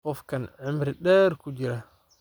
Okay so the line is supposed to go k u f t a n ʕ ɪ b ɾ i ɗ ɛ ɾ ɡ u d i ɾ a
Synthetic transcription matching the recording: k ɔ f k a n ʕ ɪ m ɾ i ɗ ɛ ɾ k u d͡ʒ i ɾ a